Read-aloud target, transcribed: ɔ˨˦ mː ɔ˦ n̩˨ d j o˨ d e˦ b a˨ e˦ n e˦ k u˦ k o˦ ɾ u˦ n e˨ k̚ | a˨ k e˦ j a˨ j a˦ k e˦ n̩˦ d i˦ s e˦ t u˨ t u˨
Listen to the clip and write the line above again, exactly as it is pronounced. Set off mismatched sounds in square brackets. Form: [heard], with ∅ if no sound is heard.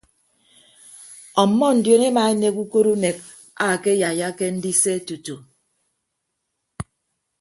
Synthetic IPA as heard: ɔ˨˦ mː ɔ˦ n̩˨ d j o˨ [n] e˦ [m] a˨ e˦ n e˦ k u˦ k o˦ ɾ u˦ n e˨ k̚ | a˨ k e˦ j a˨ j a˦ k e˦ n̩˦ d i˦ s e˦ t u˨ t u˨